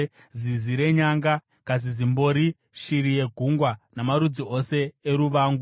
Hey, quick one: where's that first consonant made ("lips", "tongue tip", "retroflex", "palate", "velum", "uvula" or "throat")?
tongue tip